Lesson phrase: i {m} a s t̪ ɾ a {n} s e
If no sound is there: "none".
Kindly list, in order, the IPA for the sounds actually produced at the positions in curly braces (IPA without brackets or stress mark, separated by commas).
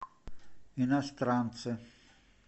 n, n